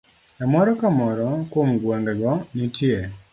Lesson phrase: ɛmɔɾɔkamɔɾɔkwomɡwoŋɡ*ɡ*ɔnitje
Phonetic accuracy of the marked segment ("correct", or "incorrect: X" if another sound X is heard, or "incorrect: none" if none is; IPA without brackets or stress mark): correct